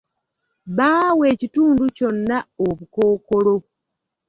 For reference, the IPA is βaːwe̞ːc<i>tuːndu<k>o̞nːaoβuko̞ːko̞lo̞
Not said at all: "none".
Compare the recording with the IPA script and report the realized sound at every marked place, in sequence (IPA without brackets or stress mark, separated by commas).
i, c